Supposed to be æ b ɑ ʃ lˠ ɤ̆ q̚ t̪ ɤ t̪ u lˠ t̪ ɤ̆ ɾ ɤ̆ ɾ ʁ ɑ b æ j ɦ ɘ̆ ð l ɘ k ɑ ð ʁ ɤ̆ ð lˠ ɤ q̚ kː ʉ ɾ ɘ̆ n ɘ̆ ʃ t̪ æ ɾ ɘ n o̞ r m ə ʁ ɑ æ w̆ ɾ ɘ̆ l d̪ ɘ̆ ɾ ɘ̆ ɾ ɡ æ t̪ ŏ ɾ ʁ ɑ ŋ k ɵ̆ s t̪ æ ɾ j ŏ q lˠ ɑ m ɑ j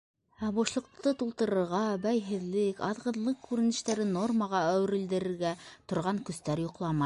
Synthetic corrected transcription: æ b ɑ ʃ lˠ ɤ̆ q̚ t̪ ɤ t̪ u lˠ t̪ ɤ̆ ɾ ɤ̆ ɾ ʁ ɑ b æ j ɦ ɘ̆ ð l ɘ k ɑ ð ʁ ɤ̆ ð lˠ ɤ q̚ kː ʉ ɾ ɘ̆ n ɘ̆ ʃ t̪ æ ɾ ɘ n o̞ r m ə ʁ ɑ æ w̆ ɾ ɘ̆ l d̪ ɘ̆ ɾ ɘ̆ ɾ ɡ æ t̪ ŏ ɾ ʁ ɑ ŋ k ɵ̆ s t̪ æ ɾ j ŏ q lˠ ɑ m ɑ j

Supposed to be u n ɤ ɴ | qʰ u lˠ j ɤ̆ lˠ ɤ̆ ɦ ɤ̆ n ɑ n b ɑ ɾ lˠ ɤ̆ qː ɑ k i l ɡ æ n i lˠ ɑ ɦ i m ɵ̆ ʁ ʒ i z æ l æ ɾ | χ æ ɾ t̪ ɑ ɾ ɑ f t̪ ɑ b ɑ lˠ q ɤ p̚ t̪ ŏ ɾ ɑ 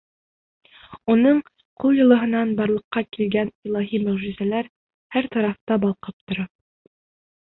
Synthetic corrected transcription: u n ɤ ɴ | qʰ u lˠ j ɤ̆ lˠ ɤ̆ ɦ ɤ̆ n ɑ n b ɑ ɾ lˠ ɤ̆ qː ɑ k i l ɡ æ n i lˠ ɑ ɦ i m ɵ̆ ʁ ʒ i z æ l æ ɾ | h æ ɾ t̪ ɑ ɾ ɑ f t̪ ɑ b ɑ lˠ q ɤ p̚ t̪ ŏ ɾ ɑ

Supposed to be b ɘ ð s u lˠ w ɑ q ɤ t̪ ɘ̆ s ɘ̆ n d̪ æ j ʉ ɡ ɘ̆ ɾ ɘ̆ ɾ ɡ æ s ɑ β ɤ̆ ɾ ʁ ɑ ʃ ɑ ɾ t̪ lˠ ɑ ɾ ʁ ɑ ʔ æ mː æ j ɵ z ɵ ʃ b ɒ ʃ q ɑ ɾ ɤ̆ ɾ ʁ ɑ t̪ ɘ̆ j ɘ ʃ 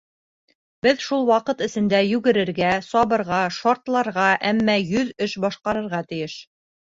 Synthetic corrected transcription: b ɘ ð ʃ u lˠ w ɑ q ɤ t̪ ɘ̆ s ɘ̆ n d̪ æ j ʉ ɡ ɘ̆ ɾ ɘ̆ ɾ ɡ æ s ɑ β ɤ̆ ɾ ʁ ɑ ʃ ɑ ɾ t̪ lˠ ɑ ɾ ʁ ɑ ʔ æ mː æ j ɵ ð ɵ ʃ b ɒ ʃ q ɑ ɾ ɤ̆ ɾ ʁ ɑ t̪ ɘ̆ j ɘ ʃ

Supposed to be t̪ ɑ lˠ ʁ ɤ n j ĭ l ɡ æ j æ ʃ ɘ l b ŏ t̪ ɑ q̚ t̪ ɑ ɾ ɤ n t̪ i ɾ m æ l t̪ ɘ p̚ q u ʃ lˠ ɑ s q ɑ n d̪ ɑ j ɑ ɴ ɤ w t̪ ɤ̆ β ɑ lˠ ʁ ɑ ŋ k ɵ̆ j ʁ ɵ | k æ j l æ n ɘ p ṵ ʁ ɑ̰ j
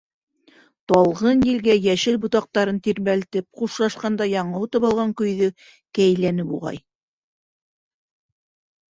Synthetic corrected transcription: t̪ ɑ lˠ ʁ ɤ n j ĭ l ɡ æ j æ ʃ ɘ l b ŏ t̪ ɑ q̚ t̪ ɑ ɾ ɤ n t̪ i ɾ m æ l t̪ ɘ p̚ q u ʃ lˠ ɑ ʃ q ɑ n d̪ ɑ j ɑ ɴ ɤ w t̪ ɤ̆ β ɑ lˠ ʁ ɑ ŋ k ɵ̆ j ð ɵ | k æ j l æ n ɘ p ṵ ʁ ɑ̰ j

